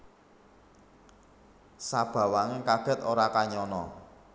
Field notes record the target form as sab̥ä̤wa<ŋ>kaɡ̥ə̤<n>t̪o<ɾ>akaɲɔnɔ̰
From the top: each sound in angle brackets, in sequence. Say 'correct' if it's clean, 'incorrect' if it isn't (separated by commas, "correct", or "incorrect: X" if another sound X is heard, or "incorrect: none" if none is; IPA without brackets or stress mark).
correct, incorrect: none, correct